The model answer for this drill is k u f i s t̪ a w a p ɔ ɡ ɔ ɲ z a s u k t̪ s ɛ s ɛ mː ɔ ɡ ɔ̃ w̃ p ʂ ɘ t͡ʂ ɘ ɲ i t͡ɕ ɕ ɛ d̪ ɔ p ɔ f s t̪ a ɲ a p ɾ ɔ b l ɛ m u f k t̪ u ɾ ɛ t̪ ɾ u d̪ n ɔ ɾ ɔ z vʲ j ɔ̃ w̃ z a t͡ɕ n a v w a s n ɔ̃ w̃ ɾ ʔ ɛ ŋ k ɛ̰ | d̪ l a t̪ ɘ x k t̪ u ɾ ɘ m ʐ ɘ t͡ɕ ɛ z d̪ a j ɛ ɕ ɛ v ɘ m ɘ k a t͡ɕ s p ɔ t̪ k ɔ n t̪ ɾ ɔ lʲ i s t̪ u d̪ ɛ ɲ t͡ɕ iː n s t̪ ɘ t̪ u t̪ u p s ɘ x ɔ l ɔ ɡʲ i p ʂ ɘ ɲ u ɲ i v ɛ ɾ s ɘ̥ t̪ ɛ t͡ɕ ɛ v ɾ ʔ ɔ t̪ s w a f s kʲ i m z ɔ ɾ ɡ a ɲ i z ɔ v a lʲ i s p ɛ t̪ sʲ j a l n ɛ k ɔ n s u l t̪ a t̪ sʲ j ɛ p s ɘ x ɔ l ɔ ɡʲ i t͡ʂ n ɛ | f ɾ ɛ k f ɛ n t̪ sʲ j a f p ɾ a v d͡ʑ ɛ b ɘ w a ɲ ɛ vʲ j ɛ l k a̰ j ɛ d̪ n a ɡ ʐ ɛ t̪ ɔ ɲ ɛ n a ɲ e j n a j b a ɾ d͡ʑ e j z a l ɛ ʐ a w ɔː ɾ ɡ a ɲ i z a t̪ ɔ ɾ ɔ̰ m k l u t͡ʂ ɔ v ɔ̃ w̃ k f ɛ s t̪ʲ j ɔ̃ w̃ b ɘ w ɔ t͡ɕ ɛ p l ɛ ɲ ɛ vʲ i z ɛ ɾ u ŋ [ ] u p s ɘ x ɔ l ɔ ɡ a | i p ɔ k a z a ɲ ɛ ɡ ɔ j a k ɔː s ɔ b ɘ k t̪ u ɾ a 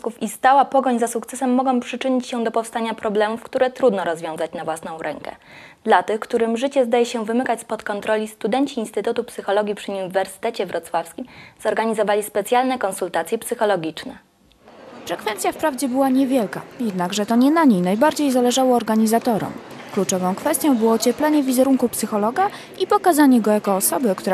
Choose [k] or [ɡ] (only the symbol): k